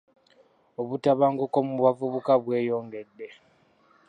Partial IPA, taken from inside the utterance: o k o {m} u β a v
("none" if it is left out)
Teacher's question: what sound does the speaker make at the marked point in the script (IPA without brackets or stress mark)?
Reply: m